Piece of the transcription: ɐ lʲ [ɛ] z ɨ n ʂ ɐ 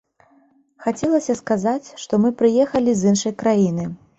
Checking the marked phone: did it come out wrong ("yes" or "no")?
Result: yes